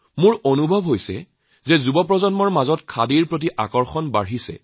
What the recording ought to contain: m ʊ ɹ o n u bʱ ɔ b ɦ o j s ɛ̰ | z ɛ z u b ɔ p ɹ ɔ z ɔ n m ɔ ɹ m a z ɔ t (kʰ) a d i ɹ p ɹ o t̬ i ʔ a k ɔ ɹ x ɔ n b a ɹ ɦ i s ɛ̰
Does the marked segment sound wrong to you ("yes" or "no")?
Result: no